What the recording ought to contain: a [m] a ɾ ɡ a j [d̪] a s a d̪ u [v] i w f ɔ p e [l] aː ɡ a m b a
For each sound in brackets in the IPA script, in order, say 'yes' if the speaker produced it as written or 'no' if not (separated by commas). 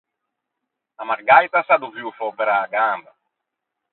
yes, no, yes, no